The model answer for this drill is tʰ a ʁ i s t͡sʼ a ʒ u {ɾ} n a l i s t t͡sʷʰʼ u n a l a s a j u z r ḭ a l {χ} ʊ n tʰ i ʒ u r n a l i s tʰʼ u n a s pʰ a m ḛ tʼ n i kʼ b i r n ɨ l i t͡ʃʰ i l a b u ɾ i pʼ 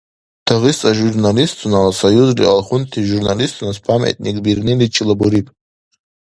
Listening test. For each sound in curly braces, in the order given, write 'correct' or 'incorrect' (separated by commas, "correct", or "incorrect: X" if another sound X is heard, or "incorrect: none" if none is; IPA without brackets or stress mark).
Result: incorrect: r, correct